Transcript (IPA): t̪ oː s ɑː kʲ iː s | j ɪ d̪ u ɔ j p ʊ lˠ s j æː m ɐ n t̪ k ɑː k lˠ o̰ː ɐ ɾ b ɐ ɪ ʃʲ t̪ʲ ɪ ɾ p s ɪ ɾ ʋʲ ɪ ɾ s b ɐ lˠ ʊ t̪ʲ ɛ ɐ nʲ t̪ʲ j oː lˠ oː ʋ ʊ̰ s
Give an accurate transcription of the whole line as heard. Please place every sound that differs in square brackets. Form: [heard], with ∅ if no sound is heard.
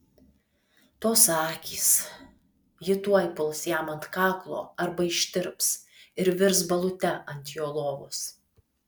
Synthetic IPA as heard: t̪ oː s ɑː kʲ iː s | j ɪ [t̪] u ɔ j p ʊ lˠ s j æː m ɐ n t̪ k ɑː k lˠ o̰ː ɐ ɾ b ɐ ɪ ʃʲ t̪ʲ ɪ ɾ p s ɪ ɾ ʋʲ ɪ ɾ s b ɐ lˠ ʊ t̪ʲ ɛ ɐ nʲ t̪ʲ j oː lˠ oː ʋ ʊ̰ s